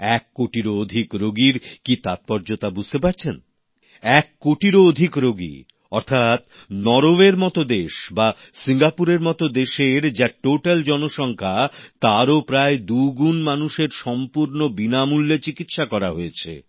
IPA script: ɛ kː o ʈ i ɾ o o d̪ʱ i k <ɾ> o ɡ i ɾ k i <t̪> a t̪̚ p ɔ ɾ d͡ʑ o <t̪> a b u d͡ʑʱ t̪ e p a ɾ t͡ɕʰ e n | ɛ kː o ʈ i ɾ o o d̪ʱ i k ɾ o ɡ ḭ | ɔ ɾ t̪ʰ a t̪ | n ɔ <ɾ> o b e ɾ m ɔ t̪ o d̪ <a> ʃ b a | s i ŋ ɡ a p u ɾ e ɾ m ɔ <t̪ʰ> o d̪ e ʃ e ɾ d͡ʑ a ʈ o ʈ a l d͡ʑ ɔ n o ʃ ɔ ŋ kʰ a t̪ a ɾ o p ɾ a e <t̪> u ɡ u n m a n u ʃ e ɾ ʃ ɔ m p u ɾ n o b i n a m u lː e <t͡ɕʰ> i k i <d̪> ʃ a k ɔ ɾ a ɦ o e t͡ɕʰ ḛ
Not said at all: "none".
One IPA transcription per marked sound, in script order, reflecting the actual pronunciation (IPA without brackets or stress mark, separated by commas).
ɾ, t̪, t̪, ɾ, e, t̪, d̪, t͡ɕ, t̪